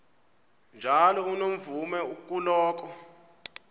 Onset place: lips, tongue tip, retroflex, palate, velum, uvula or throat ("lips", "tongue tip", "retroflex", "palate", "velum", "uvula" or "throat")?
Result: tongue tip